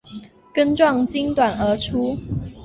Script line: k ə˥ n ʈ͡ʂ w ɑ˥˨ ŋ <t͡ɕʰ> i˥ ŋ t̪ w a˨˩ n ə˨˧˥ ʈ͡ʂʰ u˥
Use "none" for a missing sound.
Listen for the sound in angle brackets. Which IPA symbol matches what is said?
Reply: t͡ɕ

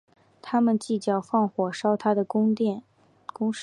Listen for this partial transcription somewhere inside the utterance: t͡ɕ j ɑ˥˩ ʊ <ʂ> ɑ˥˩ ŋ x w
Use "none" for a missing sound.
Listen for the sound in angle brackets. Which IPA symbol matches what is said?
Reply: f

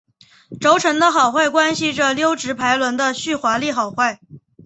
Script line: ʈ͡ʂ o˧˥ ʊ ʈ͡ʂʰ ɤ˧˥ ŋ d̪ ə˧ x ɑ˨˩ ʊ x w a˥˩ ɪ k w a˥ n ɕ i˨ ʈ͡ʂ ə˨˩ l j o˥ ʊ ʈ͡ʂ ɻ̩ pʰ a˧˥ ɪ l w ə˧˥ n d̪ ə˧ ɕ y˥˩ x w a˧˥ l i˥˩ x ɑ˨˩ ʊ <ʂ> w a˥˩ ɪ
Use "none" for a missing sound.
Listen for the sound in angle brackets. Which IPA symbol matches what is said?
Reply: x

